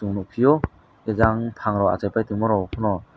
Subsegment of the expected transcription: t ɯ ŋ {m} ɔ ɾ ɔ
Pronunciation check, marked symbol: correct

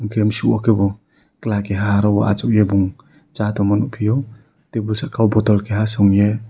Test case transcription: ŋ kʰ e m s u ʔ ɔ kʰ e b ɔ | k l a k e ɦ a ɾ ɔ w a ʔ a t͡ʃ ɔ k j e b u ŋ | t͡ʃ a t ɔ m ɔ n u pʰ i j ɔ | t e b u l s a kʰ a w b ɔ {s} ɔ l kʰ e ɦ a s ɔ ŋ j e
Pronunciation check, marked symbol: incorrect: t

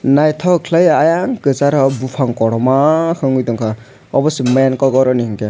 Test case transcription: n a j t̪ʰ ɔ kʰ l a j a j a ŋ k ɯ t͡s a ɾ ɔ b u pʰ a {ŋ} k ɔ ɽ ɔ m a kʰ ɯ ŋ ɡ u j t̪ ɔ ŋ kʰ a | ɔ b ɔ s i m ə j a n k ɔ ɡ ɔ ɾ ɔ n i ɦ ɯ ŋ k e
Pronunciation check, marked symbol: correct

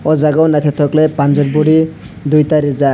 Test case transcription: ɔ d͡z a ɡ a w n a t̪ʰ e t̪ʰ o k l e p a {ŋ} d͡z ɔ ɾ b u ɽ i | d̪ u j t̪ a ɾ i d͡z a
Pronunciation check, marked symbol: incorrect: n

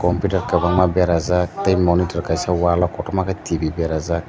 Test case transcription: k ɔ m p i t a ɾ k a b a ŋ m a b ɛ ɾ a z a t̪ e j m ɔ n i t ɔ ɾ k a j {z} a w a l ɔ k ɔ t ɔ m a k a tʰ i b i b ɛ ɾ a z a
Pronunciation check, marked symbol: incorrect: s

